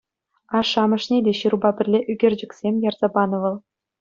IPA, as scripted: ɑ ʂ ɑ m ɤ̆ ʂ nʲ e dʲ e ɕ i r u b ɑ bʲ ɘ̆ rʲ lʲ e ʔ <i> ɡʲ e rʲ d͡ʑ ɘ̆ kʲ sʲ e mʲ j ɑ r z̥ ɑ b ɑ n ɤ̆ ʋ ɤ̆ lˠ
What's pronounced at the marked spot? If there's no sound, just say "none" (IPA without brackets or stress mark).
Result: y